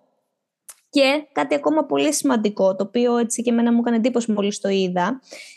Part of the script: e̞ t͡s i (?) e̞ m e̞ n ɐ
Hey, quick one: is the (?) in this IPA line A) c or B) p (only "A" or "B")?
A